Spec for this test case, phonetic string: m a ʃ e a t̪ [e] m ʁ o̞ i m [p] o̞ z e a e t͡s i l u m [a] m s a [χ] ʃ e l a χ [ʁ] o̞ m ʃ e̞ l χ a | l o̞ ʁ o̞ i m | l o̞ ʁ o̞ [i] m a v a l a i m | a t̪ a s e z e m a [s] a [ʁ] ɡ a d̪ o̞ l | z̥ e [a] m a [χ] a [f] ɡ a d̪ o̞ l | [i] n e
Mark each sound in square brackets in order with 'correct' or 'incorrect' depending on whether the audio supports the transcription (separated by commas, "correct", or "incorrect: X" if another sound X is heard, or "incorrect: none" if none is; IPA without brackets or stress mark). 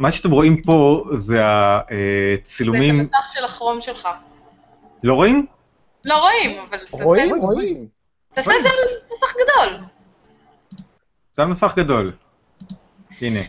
correct, correct, incorrect: i, correct, correct, correct, correct, incorrect: χ, correct, incorrect: s, incorrect: χ, correct